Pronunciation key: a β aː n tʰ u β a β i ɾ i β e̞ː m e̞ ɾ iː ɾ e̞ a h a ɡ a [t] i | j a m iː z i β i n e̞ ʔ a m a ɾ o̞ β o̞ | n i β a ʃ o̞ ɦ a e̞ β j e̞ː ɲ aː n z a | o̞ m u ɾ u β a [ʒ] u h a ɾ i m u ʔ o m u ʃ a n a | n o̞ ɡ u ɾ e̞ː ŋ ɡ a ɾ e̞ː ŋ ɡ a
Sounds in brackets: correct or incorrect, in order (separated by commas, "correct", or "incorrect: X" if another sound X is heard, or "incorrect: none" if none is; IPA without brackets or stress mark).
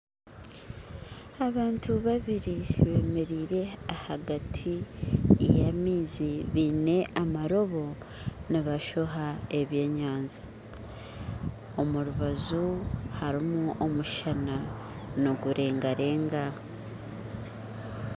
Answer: incorrect: tʰ, incorrect: z